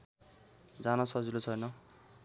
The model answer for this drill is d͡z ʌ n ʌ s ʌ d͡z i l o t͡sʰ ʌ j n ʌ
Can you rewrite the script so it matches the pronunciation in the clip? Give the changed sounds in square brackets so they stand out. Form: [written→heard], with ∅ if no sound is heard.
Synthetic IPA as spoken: d͡z [ʌ→a] n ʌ s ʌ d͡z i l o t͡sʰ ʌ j n ʌ